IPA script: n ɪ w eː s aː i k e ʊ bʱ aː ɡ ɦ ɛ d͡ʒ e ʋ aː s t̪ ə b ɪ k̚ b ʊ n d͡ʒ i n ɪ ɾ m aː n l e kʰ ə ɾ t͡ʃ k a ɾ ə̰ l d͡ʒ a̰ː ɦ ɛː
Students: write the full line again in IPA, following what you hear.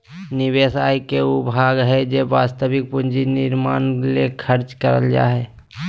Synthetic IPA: n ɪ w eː s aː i k e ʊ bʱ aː ɡ ɦ ɛ d͡ʒ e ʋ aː s t̪ ə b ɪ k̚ p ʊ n d͡ʒ i n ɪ ɾ m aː n l e kʰ ə ɾ t͡ʃ k ə ɾ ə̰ l d͡ʒ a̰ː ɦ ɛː